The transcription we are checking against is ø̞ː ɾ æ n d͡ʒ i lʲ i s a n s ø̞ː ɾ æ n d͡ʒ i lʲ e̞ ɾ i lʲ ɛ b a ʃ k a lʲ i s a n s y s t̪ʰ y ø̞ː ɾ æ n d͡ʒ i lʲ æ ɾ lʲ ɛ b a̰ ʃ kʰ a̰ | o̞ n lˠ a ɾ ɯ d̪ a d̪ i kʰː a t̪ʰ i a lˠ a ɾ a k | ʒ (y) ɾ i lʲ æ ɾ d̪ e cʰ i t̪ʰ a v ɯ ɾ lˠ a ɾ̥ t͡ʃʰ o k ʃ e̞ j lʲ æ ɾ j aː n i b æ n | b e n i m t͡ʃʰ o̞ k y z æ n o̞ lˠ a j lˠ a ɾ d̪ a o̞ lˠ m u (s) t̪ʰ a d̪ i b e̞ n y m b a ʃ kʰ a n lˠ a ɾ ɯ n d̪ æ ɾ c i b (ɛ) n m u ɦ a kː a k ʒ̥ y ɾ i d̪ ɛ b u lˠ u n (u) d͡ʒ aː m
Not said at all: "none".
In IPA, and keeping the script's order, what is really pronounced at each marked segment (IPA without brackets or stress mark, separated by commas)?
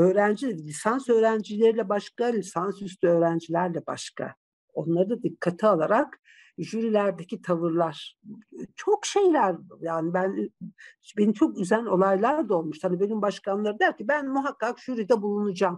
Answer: y, ʃ, æ, u